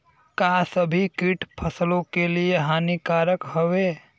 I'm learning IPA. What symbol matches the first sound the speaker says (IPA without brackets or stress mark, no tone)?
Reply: k